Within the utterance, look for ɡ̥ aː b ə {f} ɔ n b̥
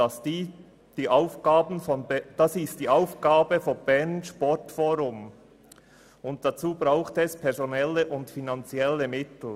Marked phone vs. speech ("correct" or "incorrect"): correct